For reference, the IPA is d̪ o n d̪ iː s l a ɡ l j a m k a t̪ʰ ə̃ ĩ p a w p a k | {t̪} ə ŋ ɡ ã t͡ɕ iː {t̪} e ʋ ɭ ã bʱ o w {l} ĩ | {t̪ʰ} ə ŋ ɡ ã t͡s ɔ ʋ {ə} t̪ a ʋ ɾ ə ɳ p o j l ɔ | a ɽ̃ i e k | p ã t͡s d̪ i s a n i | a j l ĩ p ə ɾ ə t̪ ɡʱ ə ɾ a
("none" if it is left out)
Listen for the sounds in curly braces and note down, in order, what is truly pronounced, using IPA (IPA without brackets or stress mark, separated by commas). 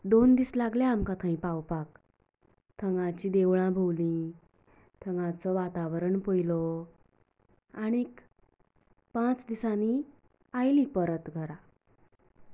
t̪ʰ, d̪, l, t̪ʰ, a